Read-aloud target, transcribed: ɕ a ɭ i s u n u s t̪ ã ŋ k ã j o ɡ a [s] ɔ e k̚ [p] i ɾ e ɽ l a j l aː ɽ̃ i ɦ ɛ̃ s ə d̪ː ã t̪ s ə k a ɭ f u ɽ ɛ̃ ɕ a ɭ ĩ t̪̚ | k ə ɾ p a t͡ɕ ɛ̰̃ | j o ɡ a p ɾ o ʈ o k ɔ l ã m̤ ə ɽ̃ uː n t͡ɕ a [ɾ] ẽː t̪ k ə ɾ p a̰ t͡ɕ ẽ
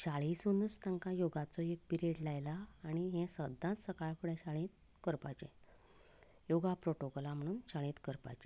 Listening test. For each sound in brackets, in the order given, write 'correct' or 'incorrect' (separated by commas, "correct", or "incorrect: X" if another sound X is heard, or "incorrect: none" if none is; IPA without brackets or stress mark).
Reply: incorrect: t͡s, correct, incorrect: ɭ